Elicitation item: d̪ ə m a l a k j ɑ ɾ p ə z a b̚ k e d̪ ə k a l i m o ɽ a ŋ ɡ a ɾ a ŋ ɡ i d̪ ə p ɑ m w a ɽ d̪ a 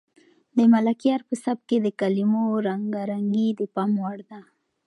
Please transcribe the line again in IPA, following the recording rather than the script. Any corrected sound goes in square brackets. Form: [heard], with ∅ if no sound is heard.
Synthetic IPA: d̪ ə m a l a k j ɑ ɾ p ə [s] a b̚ k e d̪ ə k a l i m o [ɾ] a ŋ ɡ a ɾ a ŋ ɡ i d̪ ə p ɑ m w a ɽ d̪ a